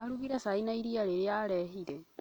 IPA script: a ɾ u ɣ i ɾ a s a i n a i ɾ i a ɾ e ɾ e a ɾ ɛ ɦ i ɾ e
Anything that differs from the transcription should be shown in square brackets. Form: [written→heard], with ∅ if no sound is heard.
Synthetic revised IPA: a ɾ u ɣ i ɾ a s a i n a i ɾ i a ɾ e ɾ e a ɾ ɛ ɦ i ɾ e